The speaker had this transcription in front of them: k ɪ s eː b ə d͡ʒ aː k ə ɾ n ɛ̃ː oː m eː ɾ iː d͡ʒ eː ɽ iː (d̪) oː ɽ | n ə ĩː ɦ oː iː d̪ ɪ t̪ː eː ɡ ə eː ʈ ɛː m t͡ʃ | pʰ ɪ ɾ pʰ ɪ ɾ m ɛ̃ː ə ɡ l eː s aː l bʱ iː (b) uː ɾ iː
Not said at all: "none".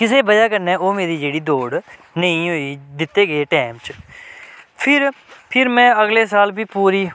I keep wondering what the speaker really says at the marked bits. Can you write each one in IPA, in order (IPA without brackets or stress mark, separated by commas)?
d̪, p